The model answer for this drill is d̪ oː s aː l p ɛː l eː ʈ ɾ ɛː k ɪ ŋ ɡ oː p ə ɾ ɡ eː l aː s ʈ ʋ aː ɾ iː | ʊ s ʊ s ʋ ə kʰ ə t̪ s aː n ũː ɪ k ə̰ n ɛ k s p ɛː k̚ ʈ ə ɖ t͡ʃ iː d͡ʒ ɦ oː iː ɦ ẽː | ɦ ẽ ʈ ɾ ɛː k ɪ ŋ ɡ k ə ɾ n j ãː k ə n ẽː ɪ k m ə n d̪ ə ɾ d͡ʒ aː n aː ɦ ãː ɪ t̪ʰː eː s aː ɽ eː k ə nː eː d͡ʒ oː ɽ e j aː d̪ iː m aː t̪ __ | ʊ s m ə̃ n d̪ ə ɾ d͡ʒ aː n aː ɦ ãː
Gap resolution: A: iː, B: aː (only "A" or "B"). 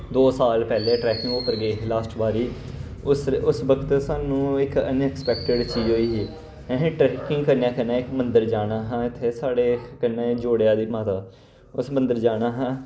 B